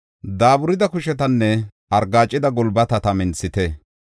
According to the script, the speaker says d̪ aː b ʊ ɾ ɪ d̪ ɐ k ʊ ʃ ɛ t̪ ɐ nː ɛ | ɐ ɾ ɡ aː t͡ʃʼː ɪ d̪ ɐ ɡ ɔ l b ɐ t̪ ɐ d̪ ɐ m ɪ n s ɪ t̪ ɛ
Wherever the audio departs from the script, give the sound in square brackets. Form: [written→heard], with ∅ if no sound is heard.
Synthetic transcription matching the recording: d̪ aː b ʊ ɾ ɪ d̪ ɐ k ʊ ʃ ɛ t̪ ɐ nː ɛ | ɐ ɾ ɡ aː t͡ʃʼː ɪ d̪ ɐ ɡ ɔ l b ɐ t̪ ɐ [d̪→t̪] ɐ m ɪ n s ɪ t̪ ɛ